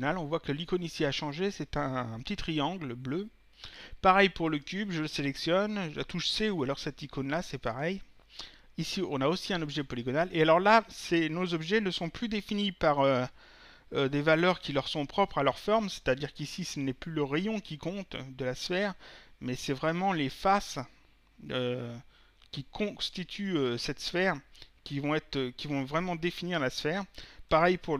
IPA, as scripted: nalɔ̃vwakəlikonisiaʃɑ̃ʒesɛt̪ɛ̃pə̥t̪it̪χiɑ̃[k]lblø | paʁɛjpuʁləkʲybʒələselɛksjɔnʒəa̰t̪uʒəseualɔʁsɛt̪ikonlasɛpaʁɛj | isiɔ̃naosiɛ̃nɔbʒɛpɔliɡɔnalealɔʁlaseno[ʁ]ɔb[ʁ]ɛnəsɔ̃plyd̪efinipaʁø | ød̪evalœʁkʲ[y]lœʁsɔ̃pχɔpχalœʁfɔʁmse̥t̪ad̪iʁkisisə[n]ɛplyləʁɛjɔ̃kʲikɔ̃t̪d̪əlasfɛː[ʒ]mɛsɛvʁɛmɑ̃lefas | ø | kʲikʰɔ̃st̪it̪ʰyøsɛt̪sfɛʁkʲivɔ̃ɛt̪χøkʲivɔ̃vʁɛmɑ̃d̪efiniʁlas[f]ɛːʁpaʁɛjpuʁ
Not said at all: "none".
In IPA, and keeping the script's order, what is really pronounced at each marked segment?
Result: ɡ, z, ʒ, i, n, ʁ, f

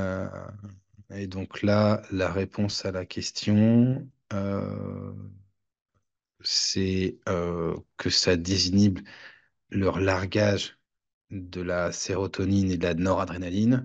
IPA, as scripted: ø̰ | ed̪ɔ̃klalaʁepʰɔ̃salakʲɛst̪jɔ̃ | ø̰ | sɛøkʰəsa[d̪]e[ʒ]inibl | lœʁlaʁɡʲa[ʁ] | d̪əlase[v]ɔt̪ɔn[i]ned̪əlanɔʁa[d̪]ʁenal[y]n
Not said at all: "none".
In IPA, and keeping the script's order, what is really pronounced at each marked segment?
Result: d̪, z, ʒ, ʁ, i, d̪, i

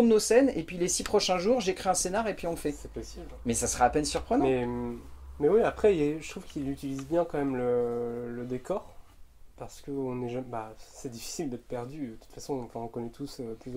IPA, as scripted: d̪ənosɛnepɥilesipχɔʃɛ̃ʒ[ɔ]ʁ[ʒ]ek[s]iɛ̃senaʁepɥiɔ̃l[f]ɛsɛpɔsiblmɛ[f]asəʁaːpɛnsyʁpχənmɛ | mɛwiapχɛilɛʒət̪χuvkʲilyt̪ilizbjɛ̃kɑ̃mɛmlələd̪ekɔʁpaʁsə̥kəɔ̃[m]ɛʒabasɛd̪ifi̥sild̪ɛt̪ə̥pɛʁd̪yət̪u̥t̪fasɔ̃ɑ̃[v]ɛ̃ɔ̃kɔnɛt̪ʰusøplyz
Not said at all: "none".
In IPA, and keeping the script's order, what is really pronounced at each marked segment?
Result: u, ʒ, χ, f, s, n, f

